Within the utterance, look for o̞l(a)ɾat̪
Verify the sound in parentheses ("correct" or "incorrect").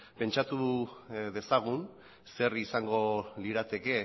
incorrect